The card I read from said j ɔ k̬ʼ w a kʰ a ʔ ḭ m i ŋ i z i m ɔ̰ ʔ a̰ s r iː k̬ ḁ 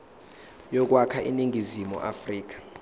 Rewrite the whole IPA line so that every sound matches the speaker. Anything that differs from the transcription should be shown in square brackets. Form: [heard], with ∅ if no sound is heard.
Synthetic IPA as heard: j ɔ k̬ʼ w a kʰ a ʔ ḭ [n] i ŋ i z i m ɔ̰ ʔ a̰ [f] r iː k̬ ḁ